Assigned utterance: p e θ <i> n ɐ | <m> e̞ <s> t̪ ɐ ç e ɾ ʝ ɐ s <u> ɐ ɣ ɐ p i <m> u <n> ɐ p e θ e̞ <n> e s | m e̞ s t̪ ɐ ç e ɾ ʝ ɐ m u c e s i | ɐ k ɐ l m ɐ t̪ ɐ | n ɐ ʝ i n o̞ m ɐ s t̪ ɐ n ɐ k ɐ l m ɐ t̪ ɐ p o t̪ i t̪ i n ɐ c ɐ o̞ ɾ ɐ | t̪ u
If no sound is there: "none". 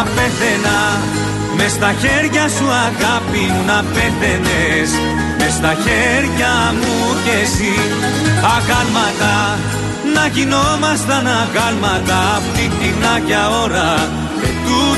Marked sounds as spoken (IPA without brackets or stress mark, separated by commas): e, m, s, u, n, n, n